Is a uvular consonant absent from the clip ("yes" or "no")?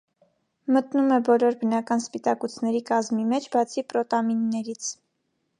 yes